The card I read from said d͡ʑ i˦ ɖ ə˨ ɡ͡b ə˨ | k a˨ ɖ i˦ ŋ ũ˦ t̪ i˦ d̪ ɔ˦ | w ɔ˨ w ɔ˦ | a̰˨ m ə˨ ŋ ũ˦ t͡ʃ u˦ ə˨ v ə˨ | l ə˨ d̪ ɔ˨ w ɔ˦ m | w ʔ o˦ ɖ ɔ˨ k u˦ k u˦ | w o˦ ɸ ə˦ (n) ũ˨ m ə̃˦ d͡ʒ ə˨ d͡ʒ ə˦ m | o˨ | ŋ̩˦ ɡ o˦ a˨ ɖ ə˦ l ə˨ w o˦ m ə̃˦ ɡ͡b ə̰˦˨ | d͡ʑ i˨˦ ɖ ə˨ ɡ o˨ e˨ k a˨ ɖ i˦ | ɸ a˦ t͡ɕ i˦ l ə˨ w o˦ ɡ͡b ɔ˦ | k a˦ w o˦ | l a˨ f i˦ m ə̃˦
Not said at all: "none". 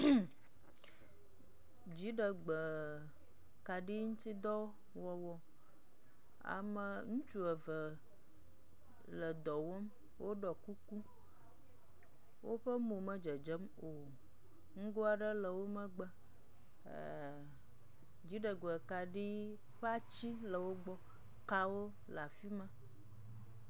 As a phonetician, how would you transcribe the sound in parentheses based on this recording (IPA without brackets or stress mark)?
m